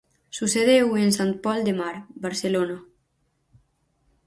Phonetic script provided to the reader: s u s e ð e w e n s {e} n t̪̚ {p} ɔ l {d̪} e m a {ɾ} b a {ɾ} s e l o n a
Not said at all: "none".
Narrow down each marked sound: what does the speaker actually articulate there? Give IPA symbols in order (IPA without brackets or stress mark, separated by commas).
a, p, d̪, ɾ, ɾ